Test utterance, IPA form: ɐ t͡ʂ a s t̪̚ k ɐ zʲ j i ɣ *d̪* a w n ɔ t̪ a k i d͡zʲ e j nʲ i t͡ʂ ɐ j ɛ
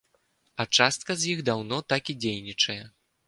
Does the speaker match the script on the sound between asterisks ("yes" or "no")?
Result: yes